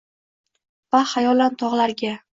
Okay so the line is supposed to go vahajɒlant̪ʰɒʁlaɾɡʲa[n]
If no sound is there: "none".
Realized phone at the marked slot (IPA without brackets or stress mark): none